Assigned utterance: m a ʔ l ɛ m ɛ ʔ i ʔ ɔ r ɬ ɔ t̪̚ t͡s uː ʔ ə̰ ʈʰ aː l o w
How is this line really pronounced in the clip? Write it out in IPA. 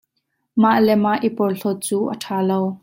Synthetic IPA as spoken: m a ʔ l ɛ m a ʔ i p ɔ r ɬ ɔ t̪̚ t͡s uː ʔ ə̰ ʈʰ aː l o w